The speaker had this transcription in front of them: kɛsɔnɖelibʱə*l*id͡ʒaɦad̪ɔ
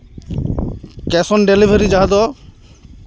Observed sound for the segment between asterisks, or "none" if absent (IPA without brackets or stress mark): ɾ